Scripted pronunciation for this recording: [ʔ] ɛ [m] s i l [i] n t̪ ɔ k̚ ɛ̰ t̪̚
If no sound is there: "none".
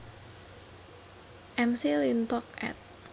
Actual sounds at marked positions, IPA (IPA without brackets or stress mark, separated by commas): ʔ, m, i